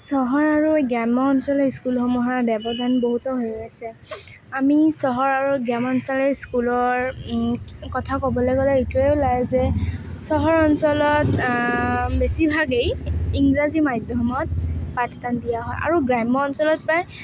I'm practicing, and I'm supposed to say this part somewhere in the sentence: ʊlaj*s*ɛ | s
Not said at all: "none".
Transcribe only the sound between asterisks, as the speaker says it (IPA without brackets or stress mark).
z